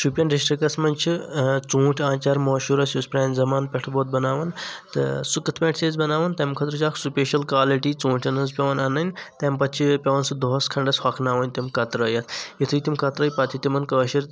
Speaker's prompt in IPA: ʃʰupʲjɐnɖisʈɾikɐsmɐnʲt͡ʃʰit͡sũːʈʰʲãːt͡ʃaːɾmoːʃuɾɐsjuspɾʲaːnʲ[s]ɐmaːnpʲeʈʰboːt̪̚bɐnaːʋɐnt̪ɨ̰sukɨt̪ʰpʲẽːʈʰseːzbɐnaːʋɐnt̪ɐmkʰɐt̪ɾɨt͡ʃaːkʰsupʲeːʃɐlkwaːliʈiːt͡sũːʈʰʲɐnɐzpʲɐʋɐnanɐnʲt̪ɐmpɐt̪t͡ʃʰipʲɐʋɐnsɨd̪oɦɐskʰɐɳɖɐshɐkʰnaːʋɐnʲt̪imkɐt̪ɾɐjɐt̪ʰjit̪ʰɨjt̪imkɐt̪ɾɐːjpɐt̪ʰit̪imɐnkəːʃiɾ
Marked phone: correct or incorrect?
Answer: incorrect: z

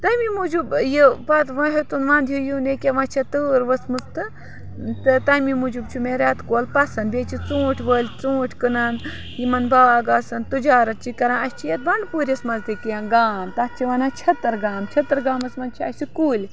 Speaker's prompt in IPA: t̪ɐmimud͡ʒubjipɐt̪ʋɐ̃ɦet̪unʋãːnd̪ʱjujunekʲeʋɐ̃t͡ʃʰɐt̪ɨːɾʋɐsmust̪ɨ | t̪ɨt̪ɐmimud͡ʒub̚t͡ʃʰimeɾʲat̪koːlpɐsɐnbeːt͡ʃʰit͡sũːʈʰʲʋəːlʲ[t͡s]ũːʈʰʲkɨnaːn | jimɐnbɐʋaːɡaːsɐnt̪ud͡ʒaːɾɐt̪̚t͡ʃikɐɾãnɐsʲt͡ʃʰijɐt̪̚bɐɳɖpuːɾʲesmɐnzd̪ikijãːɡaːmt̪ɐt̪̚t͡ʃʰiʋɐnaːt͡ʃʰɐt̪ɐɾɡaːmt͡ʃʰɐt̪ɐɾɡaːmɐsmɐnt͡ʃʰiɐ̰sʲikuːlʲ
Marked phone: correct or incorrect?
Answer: correct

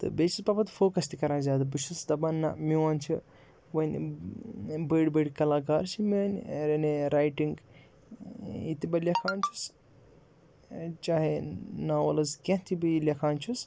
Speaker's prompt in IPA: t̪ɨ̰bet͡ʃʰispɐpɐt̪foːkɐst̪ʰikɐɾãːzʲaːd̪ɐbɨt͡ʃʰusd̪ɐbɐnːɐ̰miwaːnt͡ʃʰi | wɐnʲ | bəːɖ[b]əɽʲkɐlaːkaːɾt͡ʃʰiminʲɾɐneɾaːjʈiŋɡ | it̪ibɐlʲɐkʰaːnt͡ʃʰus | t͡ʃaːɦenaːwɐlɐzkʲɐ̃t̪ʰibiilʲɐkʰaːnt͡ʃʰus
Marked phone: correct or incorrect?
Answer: correct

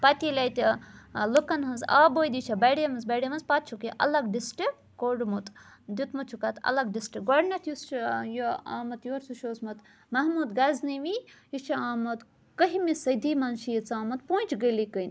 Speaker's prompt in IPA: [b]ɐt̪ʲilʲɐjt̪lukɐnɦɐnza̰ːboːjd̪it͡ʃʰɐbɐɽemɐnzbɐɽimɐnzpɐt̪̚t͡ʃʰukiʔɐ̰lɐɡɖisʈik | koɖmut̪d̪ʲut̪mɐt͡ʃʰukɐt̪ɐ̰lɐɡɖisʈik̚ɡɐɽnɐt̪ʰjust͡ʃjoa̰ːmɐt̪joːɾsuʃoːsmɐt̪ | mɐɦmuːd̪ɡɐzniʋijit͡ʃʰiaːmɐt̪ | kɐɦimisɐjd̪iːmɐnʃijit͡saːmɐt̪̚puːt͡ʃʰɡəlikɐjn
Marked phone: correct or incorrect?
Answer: incorrect: p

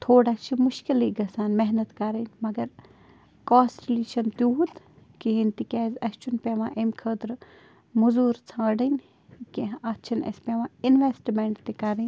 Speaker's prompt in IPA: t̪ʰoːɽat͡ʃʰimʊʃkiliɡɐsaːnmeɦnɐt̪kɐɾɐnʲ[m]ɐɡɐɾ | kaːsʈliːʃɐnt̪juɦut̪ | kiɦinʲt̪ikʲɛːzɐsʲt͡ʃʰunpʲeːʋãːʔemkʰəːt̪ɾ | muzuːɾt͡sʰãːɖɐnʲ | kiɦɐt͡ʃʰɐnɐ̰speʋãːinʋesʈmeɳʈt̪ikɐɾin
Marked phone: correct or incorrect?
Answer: correct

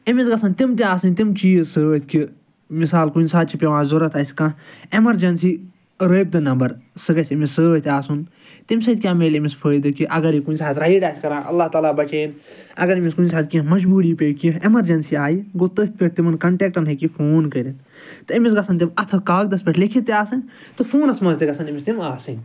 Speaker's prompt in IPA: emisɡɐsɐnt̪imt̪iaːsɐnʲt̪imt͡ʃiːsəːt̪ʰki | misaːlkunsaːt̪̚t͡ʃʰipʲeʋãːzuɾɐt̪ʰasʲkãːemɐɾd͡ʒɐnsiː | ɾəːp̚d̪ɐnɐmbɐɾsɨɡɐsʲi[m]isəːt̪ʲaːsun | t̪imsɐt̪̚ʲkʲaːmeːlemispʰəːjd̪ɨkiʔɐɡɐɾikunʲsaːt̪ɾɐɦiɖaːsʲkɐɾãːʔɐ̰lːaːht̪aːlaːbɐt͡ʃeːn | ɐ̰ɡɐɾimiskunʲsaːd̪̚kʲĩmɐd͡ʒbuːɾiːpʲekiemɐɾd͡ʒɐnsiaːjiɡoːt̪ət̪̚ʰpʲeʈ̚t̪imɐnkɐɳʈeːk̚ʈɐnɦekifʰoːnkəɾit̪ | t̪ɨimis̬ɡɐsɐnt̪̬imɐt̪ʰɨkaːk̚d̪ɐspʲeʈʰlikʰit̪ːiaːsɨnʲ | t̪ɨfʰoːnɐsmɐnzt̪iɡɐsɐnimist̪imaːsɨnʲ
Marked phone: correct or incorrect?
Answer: correct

